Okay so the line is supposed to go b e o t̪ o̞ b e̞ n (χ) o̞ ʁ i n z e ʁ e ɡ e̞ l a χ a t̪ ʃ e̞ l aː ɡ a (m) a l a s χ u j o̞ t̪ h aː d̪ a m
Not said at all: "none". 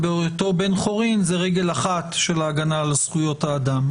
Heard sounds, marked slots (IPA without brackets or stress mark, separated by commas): χ, n